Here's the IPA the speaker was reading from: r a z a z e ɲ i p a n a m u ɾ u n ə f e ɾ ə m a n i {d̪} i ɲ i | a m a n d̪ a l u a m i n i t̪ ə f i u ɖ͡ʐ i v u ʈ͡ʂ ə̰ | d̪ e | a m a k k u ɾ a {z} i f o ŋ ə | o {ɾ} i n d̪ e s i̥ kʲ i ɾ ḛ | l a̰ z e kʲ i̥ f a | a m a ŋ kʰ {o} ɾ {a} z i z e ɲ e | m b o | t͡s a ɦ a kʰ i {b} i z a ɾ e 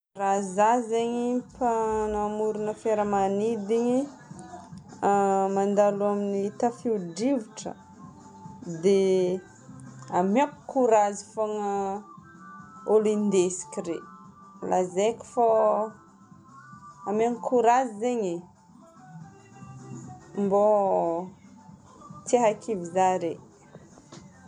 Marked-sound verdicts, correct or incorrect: correct, correct, incorrect: l, incorrect: u, correct, incorrect: v

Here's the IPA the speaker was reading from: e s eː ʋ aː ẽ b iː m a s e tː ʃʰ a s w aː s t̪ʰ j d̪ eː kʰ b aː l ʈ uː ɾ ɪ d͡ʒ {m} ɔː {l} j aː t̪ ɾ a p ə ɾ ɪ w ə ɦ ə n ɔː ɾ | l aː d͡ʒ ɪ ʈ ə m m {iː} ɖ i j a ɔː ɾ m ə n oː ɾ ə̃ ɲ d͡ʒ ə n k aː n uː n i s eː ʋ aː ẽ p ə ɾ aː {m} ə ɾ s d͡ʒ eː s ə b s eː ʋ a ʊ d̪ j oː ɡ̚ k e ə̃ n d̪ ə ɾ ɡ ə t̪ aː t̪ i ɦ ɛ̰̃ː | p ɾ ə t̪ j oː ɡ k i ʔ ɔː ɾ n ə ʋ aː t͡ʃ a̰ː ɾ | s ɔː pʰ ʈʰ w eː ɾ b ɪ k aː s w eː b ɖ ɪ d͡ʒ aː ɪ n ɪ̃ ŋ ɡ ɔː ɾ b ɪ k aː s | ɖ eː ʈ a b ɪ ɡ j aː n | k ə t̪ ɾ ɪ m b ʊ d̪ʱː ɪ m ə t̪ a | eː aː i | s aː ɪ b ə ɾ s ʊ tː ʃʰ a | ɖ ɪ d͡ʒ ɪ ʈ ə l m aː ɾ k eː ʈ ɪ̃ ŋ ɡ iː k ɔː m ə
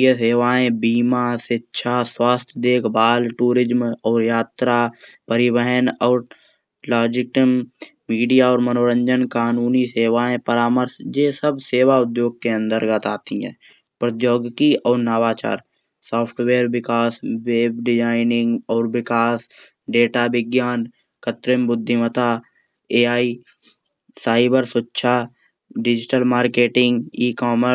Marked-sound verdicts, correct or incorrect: correct, incorrect: ɾ, correct, correct

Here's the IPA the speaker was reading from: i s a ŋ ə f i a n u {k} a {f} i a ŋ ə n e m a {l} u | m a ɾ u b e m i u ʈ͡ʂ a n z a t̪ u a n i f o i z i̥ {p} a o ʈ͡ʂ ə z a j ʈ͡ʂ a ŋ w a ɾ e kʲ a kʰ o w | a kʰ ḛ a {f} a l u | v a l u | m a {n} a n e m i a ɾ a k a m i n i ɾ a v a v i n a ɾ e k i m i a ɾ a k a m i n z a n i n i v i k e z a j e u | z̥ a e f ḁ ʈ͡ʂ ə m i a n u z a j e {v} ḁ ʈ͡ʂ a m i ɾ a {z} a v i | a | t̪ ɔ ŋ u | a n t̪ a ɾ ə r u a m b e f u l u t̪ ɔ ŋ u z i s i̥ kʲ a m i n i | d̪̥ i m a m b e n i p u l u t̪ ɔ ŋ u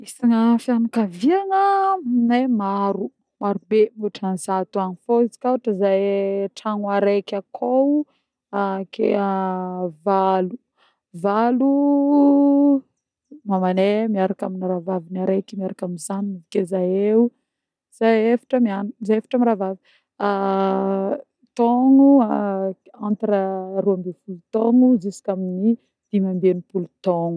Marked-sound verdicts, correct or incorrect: correct, incorrect: v, incorrect: ɾ, incorrect: k, incorrect: v, incorrect: m, incorrect: f, incorrect: v

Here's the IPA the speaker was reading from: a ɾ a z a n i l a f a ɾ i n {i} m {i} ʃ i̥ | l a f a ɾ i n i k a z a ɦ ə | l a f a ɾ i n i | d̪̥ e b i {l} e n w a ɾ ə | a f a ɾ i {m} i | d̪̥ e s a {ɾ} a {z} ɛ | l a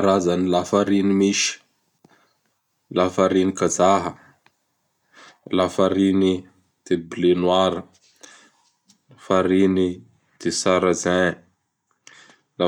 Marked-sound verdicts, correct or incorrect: correct, correct, correct, incorrect: n, correct, correct

